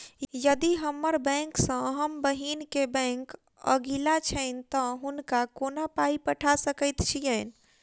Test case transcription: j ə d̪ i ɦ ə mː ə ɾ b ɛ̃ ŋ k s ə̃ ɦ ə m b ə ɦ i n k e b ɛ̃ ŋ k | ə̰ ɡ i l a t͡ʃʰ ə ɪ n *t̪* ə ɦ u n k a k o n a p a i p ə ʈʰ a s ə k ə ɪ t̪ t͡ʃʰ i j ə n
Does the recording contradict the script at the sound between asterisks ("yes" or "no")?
no